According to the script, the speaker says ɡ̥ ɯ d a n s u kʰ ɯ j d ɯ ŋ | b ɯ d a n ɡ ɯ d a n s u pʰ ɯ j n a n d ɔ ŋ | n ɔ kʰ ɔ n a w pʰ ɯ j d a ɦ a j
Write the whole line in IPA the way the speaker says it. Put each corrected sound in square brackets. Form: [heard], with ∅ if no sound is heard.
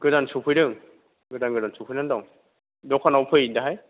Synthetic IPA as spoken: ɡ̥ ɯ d a n s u [pʰ] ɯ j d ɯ ŋ | [ɡ] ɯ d a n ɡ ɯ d a n s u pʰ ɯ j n a n d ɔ ŋ | [d] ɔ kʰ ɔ n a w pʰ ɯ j d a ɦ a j